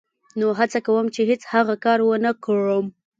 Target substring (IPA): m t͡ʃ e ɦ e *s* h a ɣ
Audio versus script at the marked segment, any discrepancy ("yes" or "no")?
yes